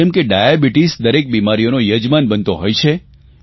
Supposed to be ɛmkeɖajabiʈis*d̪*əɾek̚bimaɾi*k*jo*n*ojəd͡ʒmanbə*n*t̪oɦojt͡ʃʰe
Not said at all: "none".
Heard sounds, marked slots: d̪, none, n, n

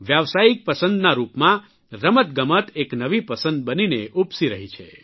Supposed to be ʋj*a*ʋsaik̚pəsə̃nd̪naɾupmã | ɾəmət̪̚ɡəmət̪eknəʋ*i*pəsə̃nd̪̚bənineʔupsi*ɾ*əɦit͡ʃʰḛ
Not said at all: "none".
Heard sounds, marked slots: a, i, ɾ

